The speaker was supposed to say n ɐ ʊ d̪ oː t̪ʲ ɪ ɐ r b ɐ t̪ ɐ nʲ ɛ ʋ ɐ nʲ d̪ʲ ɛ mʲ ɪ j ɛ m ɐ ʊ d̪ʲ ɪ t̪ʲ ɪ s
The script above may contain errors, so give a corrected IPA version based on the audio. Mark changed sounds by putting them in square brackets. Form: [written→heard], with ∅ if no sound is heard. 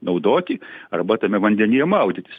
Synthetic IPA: n ɐ ʊ d̪ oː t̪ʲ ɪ ɐ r b ɐ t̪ ɐ [nʲ→mʲ] ɛ ʋ ɐ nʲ d̪ʲ ɛ [mʲ→nʲ] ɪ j ɛ m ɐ ʊ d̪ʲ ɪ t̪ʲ ɪ s